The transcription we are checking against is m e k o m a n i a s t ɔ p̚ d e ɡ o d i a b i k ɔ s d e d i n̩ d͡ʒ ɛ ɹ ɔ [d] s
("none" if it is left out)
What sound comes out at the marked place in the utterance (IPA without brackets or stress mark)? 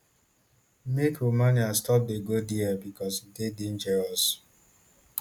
none